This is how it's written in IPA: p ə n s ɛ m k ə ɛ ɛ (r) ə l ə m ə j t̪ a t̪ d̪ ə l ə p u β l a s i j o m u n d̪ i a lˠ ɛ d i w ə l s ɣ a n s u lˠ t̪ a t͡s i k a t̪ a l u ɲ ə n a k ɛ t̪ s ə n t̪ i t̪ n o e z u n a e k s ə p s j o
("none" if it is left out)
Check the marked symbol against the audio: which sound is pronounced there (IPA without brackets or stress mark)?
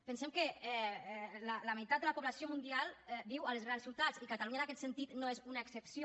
l